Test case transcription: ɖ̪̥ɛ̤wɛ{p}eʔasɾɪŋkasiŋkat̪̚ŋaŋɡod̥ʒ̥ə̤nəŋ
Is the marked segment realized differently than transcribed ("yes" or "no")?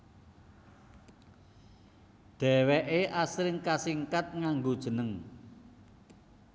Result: yes